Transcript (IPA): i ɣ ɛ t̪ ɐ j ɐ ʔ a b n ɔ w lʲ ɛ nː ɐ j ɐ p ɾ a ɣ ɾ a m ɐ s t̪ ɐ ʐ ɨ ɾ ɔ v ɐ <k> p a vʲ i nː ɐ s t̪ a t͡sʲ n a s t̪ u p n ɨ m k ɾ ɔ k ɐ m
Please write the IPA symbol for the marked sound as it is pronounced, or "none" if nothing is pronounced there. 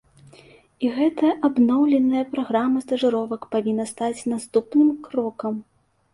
k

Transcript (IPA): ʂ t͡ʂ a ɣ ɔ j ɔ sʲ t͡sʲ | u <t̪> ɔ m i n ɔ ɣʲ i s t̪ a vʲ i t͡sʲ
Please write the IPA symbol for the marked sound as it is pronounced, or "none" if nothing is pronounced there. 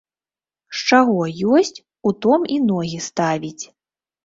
t̪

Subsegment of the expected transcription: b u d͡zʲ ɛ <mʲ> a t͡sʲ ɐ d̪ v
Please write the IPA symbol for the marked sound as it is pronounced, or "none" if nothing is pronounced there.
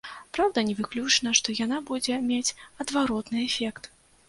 mʲ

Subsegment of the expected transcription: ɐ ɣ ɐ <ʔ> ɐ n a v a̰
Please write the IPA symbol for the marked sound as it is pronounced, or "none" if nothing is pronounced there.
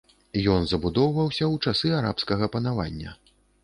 p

